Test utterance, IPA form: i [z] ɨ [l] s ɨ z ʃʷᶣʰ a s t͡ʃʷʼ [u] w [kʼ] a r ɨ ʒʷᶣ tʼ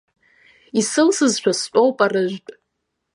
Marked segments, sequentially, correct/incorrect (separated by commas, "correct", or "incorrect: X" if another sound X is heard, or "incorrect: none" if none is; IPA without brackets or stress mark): incorrect: s, correct, incorrect: o, incorrect: pʼ